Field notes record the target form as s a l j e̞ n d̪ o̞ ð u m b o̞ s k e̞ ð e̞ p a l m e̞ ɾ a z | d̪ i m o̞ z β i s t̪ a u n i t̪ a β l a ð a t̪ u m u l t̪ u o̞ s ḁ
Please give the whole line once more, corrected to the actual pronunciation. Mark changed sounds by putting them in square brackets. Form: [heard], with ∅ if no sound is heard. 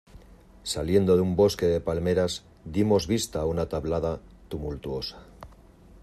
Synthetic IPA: s a l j e̞ n d̪ o̞ ð u m b o̞ s k e̞ ð e̞ p a l m e̞ ɾ a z | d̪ i m o̞ z β i s t̪ a u n [a] t̪ a β l a ð a t̪ u m u l t̪ u o̞ s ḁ